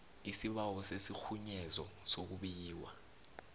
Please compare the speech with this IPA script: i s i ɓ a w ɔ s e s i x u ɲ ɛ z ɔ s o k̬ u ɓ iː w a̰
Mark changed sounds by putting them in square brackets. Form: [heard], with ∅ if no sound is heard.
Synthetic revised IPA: i s i ɓ a w ɔ s e s i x u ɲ ɛ z ɔ s o k̬ u ɓ iː w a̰